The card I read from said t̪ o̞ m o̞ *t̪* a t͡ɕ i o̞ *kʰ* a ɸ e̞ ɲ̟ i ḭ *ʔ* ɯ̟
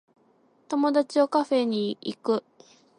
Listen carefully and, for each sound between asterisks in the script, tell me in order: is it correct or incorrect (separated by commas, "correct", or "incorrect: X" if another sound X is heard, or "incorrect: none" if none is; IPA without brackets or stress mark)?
incorrect: d̪, incorrect: k, incorrect: k